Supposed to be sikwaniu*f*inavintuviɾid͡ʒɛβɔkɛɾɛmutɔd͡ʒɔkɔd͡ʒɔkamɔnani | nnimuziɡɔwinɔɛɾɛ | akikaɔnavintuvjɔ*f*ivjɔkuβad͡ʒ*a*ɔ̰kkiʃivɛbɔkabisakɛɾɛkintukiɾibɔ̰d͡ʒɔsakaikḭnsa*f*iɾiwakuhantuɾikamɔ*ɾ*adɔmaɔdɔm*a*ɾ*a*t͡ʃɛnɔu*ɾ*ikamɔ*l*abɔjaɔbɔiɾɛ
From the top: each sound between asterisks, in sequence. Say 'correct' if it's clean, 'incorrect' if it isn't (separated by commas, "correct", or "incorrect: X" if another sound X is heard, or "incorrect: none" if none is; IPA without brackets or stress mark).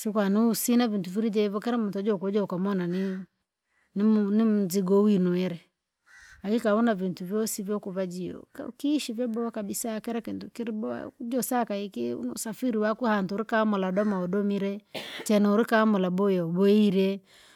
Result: incorrect: s, incorrect: s, incorrect: i, correct, incorrect: l, incorrect: i, incorrect: ɛ, correct, correct